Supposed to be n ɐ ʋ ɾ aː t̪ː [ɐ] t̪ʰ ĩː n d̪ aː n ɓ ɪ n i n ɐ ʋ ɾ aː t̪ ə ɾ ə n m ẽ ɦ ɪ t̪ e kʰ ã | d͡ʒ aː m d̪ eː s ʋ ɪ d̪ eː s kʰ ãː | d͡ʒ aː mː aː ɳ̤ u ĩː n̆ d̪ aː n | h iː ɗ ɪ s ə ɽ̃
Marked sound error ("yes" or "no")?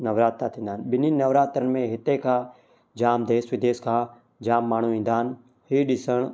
yes